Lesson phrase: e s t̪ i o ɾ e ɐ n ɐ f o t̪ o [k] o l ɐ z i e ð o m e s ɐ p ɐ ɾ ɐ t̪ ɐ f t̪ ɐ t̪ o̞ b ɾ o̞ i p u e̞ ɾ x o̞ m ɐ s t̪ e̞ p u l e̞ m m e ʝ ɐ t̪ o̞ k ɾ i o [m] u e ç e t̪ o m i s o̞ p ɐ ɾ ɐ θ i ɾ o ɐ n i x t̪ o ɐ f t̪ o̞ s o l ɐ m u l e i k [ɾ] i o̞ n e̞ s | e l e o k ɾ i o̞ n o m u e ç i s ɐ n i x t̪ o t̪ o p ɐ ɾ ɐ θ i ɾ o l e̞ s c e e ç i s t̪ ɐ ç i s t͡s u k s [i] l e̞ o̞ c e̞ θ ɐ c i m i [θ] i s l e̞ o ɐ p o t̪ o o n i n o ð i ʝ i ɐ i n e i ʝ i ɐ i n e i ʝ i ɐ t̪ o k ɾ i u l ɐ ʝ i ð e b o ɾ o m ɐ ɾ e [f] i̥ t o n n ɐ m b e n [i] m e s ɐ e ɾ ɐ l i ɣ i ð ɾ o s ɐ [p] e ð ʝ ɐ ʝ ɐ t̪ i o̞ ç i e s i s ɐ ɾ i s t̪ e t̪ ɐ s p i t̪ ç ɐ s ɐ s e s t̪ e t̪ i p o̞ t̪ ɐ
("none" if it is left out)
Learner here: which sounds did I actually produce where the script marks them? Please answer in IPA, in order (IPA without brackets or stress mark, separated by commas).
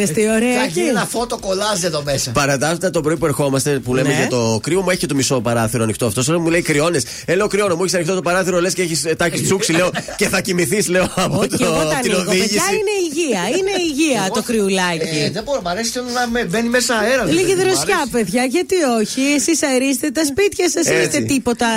k, m, ɾ, i, θ, s, i, p